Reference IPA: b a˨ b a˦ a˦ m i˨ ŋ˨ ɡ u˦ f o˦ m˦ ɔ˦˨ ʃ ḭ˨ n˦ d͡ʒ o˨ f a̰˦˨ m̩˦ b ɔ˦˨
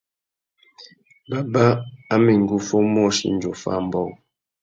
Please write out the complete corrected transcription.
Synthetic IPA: b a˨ b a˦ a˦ m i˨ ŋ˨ ɡ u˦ f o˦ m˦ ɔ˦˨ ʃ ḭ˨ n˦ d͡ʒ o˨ f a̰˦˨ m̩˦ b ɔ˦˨